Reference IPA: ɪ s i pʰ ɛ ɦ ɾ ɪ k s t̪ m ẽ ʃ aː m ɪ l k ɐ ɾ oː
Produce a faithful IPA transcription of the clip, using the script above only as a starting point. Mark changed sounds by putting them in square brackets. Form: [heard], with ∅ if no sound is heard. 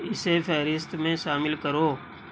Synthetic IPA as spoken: ɪ s [e] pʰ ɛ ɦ ɾ ɪ [∅] s t̪ m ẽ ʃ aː m ɪ l k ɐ ɾ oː